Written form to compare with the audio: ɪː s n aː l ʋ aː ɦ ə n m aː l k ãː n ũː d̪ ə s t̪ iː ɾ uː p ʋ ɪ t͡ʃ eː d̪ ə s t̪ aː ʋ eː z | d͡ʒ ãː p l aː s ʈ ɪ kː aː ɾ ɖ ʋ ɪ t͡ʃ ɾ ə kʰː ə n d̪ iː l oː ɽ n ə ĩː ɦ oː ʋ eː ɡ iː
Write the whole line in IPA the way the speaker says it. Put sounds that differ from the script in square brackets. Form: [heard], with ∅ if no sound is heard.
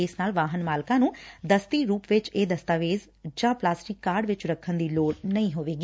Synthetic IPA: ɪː s n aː l ʋ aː ɦ ə n m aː l k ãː n ũː d̪ ə s t̪ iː ɾ uː p ʋ ɪ t͡ʃ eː d̪ ə s t̪ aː ʋ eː z | d͡ʒ ãː p l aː s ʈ ɪ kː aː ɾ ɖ ʋ ɪ t͡ʃ ɾ ə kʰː ə n d̪ iː l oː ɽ n ə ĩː ɦ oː ʋ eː ɡ iː

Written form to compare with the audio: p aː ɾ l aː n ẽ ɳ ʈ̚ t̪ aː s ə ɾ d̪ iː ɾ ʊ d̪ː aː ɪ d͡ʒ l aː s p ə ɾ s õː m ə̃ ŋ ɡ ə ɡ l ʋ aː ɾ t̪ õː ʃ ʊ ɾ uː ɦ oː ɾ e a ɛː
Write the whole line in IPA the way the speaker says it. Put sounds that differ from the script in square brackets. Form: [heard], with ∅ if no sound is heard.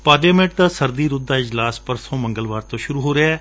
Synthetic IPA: p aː ɾ l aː [m] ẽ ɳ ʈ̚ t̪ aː s ə ɾ d̪ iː ɾ ʊ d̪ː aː ɪ d͡ʒ l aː s p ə ɾ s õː m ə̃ ŋ ɡ ə [∅] l ʋ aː ɾ t̪ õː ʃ ʊ ɾ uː ɦ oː ɾ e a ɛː

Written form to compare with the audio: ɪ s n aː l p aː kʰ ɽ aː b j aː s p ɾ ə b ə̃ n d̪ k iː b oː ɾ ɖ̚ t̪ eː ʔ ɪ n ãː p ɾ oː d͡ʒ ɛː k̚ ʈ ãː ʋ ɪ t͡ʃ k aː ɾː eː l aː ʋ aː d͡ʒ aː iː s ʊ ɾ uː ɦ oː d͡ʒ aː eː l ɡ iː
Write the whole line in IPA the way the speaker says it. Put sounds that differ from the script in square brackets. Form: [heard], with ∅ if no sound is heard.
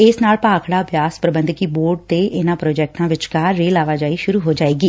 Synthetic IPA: ɪ s n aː l p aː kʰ ɽ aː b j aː s p ɾ ə b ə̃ n d̪ k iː b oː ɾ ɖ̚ t̪ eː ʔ ɪ n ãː p ɾ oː d͡ʒ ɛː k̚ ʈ ãː ʋ ɪ t͡ʃ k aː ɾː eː l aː ʋ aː d͡ʒ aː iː [ʃ] ʊ ɾ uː ɦ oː d͡ʒ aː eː [∅] ɡ iː

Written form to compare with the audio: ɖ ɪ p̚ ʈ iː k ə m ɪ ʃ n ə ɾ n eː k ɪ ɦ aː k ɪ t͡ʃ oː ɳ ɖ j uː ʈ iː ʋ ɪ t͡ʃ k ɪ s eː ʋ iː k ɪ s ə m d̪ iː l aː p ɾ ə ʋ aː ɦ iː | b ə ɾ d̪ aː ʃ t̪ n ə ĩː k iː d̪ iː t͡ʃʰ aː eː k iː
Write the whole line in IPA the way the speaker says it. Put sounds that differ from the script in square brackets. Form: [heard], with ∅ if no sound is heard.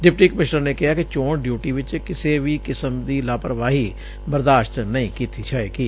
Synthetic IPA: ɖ ɪ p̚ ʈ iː k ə m ɪ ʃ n ə ɾ n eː k ɪ ɦ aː k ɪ t͡ʃ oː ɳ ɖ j uː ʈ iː ʋ ɪ t͡ʃ k ɪ s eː ʋ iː k ɪ s ə m d̪ iː l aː p ɾ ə ʋ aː ɦ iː | b ə ɾ d̪ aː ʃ t̪ n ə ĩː k iː [t̪] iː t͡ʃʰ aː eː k iː

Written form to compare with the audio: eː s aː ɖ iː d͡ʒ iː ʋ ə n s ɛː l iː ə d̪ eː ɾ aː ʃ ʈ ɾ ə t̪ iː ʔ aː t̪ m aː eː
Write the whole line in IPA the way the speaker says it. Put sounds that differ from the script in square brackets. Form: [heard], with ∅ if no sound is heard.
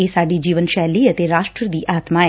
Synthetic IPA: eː s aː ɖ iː d͡ʒ iː ʋ ə n [ʃ] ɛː l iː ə [t̪] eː ɾ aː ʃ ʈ ɾ ə [d̪] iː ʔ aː t̪ m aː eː

